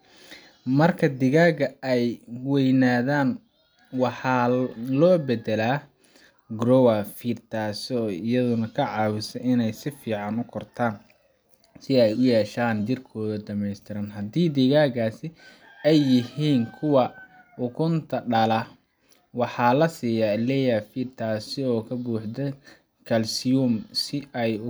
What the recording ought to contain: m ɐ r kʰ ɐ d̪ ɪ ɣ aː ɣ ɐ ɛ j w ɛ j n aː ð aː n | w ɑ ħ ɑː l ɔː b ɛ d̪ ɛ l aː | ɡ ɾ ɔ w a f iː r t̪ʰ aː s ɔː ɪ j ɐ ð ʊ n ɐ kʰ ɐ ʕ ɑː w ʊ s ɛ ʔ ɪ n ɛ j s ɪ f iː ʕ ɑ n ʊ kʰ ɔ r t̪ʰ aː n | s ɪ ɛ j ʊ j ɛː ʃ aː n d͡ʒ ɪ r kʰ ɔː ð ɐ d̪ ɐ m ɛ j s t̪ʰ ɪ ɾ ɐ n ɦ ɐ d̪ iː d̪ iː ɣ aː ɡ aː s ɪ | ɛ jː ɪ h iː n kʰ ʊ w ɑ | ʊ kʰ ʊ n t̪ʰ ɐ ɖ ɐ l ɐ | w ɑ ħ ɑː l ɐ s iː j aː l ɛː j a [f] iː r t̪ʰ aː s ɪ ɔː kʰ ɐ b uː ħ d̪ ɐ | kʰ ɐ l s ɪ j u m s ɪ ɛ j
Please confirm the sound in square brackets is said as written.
yes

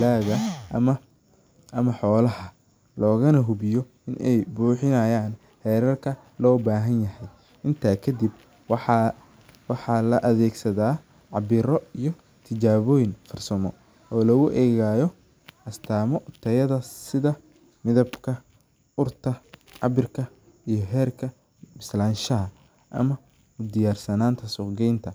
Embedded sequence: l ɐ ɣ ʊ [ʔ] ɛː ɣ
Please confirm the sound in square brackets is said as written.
yes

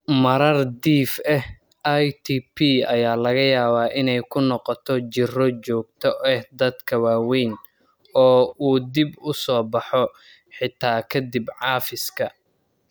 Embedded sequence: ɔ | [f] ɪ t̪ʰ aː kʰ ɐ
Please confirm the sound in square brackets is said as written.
no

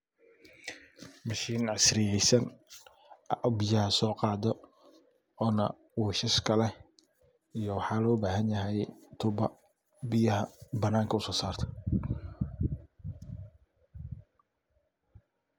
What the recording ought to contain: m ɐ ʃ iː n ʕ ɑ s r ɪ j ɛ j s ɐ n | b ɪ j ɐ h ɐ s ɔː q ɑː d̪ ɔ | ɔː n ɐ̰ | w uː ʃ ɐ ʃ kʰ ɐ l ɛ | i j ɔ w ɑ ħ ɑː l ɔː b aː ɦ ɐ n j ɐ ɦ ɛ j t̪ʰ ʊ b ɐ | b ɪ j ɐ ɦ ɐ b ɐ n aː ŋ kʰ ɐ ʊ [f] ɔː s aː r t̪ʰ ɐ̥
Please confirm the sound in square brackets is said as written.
no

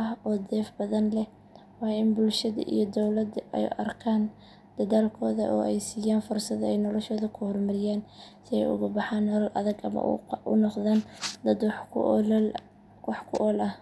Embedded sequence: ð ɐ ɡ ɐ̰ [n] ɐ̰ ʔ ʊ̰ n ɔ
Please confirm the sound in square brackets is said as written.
no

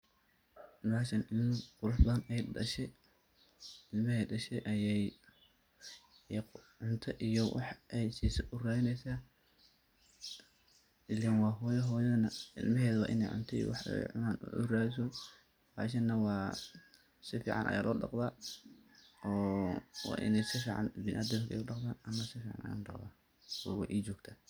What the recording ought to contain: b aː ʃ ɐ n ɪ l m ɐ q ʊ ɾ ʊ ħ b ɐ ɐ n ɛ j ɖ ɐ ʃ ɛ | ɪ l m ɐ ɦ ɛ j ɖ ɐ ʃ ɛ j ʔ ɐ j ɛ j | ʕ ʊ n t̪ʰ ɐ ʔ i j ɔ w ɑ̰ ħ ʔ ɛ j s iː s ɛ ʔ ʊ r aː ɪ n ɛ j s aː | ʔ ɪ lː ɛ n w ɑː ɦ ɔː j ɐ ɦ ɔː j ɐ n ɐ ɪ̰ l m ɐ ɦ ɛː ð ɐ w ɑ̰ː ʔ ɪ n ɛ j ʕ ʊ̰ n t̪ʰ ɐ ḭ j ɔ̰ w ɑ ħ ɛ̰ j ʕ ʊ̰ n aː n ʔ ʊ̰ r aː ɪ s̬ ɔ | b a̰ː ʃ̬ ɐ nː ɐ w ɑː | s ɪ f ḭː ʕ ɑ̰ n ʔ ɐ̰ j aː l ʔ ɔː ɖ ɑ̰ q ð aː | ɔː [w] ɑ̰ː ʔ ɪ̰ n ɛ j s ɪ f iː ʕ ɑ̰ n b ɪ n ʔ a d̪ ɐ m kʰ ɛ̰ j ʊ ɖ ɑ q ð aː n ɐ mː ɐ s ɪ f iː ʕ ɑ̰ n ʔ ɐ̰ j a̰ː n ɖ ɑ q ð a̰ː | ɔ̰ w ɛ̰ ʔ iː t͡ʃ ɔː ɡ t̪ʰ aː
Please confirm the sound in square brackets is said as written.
yes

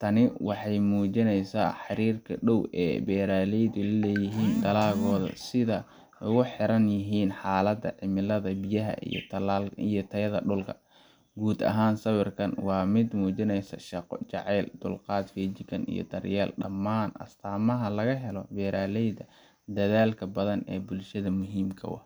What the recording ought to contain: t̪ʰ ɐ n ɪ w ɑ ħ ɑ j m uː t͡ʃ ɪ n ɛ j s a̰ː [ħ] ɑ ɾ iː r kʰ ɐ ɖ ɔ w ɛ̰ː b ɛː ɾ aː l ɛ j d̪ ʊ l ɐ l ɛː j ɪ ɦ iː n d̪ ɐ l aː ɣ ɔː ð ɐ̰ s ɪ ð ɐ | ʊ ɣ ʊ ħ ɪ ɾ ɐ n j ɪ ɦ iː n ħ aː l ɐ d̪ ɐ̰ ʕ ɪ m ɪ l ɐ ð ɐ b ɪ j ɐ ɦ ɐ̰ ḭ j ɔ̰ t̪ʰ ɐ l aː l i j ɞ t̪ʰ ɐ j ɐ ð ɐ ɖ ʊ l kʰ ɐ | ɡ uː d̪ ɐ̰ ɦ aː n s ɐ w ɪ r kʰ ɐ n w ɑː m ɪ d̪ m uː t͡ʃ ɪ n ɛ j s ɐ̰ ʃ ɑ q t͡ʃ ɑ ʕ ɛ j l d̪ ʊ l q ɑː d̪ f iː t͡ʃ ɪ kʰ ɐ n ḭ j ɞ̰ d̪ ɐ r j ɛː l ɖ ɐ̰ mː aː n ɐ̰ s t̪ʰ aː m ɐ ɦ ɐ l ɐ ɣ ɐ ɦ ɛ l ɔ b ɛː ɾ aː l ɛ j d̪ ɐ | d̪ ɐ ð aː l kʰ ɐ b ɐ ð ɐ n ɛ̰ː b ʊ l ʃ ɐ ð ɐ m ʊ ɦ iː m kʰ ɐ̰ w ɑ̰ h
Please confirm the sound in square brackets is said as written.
yes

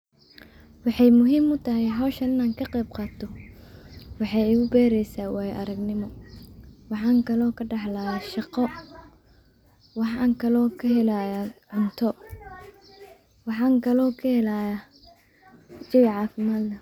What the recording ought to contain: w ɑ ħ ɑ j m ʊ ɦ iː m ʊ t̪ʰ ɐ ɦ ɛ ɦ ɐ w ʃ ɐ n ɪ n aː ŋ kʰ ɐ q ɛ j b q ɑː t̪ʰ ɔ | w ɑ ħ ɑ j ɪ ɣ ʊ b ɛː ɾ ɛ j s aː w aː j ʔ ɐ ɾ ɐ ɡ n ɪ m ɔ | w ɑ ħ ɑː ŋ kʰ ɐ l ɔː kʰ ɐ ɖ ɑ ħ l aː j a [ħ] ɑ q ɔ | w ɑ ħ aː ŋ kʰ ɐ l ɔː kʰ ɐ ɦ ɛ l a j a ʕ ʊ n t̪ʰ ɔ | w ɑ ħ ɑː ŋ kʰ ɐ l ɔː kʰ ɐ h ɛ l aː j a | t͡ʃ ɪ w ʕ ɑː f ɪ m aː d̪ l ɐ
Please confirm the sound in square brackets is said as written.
no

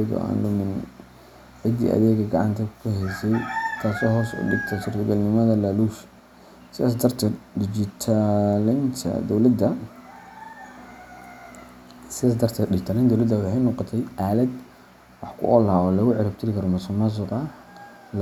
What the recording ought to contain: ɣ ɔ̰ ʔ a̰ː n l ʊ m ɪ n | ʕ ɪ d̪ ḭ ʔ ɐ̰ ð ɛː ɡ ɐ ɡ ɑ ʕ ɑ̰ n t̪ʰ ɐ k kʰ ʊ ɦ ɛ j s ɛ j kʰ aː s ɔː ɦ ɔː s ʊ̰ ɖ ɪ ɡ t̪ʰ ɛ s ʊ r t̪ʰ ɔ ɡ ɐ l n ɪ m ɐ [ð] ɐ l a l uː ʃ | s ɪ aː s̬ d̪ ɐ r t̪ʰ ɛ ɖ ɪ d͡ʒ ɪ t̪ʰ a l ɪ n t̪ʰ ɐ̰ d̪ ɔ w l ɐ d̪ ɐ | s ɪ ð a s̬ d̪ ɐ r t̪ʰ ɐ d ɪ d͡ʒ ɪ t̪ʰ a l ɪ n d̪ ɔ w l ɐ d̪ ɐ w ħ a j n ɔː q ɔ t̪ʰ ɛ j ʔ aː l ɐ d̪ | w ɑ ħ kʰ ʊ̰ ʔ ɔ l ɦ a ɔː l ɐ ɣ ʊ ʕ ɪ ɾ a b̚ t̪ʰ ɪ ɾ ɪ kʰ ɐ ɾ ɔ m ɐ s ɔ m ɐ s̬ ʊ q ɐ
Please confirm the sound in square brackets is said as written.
yes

